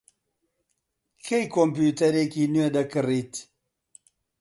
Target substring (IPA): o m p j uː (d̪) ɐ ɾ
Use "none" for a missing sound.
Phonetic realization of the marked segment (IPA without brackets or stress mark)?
t̪